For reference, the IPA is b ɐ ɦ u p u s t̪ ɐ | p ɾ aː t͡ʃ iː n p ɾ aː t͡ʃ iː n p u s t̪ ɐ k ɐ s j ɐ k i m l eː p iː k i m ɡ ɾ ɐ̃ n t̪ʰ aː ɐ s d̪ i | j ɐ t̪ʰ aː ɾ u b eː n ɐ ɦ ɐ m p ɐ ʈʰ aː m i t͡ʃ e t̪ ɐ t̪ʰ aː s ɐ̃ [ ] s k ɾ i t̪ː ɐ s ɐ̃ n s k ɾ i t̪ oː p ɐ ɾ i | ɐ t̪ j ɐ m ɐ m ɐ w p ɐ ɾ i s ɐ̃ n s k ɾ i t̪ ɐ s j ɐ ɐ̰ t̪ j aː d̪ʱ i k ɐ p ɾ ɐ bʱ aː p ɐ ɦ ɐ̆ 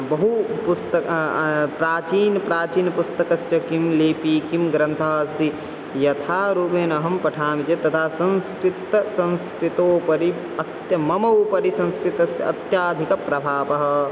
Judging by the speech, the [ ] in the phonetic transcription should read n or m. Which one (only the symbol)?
n